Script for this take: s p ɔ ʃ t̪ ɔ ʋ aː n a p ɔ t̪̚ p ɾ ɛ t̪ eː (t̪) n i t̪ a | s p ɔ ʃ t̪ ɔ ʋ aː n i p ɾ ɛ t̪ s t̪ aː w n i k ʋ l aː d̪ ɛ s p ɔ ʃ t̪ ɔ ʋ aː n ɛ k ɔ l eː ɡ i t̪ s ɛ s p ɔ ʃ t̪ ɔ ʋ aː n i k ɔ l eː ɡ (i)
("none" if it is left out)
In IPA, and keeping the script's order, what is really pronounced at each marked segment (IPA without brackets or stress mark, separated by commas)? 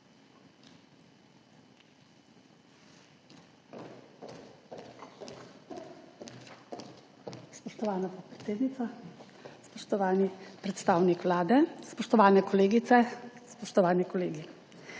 d̪, i